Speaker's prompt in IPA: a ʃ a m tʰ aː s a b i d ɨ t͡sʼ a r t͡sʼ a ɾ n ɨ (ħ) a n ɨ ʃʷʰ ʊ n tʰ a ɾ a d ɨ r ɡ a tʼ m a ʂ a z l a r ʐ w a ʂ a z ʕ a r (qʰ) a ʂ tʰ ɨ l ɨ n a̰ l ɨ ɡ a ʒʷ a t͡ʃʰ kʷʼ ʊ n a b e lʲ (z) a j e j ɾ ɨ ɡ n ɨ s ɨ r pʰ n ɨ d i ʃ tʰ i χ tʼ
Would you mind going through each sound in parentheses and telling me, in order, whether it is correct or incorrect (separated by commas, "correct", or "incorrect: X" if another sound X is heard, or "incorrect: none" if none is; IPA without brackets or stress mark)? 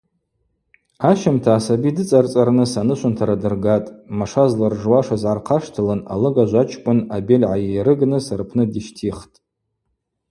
incorrect: s, correct, incorrect: ʕ